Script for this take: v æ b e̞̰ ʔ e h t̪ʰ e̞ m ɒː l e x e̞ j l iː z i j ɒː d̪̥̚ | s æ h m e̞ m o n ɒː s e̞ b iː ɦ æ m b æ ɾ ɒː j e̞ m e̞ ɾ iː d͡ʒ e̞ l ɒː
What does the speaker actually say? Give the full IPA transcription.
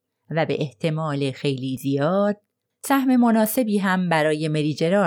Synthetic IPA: v æ b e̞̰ ʔ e h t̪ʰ e̞ m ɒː l e x e̞ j l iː z i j ɒː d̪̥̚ | s æ h m e̞ m o n ɒː s e̞ b iː ɦ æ m b æ ɾ ɒː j e̞ m e̞ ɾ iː d͡ʒ e̞ ɾ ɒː